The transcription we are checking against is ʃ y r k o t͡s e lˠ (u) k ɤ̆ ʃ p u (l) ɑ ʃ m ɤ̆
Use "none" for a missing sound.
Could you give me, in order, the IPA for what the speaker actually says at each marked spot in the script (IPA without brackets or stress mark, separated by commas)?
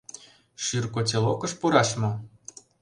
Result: o, ɾ